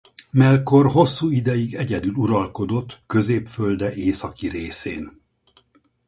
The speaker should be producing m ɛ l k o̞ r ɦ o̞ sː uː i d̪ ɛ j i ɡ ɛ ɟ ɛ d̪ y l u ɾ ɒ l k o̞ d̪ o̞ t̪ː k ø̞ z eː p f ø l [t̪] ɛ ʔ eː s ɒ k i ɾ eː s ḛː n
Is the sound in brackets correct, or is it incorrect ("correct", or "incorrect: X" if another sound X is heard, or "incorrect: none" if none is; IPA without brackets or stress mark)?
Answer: incorrect: d̪